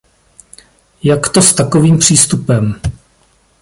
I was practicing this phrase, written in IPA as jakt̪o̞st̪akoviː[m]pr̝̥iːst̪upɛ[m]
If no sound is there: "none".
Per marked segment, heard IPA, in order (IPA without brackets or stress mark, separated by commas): m, m